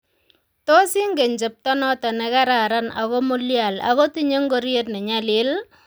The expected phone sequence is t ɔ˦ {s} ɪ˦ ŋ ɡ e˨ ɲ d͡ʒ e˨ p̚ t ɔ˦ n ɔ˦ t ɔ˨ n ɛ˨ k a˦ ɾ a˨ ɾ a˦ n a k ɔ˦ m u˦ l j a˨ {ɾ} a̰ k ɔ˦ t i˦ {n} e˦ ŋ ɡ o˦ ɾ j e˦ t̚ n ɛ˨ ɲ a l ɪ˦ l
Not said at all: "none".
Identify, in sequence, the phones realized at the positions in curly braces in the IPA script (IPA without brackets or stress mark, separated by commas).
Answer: s, l, ɲ